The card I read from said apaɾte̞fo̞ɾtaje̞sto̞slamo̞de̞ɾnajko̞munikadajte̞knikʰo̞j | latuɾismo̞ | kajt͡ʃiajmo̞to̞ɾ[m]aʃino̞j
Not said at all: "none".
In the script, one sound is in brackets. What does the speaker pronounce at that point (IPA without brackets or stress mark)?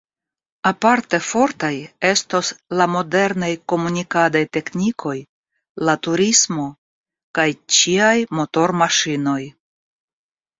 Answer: m